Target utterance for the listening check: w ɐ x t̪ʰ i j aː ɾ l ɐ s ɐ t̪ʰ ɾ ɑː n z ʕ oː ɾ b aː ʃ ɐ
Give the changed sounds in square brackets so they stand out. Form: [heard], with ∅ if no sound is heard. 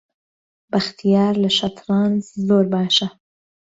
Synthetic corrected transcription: [b] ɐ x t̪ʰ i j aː ɾ l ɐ [ʃ] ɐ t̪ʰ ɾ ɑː n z [z] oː ɾ b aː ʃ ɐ